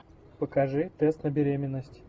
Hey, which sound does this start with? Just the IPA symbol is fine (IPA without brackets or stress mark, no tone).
p